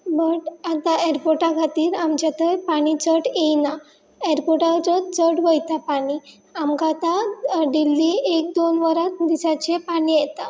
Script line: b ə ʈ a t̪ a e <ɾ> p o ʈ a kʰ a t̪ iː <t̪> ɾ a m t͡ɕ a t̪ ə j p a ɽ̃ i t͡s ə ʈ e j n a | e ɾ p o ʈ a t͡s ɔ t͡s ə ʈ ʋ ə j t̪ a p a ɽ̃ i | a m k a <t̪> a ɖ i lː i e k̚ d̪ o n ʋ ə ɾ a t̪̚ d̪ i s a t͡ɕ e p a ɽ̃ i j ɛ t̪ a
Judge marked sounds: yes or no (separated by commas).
yes, no, yes